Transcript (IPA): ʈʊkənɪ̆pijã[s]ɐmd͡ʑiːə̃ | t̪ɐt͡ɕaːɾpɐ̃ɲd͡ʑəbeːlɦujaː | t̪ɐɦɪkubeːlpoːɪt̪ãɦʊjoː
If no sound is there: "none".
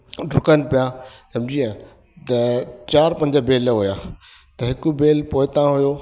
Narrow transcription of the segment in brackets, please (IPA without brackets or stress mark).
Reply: s